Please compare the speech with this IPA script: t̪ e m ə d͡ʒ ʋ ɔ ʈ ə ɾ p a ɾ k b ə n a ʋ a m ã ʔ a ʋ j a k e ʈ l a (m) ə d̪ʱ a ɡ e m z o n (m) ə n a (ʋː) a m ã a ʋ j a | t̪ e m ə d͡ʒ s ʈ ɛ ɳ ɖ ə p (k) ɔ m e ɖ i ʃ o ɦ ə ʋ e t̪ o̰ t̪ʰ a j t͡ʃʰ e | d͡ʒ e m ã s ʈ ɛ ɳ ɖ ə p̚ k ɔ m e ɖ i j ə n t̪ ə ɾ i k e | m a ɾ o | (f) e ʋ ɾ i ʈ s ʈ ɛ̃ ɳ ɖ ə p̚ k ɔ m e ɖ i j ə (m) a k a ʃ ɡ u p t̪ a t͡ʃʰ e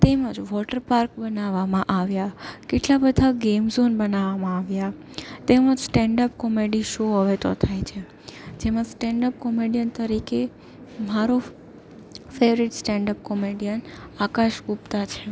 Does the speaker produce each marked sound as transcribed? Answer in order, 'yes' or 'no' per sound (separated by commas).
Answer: no, no, no, yes, yes, no